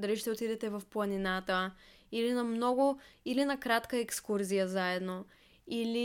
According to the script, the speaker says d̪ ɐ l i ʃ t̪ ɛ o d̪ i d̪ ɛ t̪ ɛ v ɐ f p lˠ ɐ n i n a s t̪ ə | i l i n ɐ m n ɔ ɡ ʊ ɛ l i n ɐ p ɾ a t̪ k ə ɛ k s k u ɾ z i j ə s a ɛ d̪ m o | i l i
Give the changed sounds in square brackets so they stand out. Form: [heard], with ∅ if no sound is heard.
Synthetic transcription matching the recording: d̪ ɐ l i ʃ t̪ ɛ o [t̪] i d̪ ɛ t̪ ɛ v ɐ f p lˠ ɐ n i n a [∅] t̪ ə | i l i n ɐ m n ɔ ɡ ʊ [i] l i n ɐ [k] ɾ a t̪ k ə ɛ k s k u ɾ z i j ə [z] a ɛ d̪ [n] o | i l i